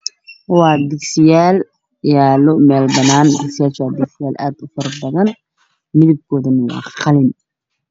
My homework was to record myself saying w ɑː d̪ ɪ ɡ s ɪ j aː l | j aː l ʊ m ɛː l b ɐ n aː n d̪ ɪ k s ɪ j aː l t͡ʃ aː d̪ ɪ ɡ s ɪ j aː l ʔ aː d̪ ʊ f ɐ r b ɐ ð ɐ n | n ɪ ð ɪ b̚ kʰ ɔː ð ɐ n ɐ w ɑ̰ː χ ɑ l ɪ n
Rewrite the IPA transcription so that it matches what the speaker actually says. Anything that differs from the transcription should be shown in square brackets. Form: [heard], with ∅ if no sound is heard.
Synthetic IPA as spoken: w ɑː d̪ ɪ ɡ s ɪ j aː l | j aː l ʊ m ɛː l b ɐ n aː n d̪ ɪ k s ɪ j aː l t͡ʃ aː d̪ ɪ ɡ s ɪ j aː l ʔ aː d̪ ʊ f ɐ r b ɐ ð ɐ n | [m] ɪ ð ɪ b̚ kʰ ɔː ð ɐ n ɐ w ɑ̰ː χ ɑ l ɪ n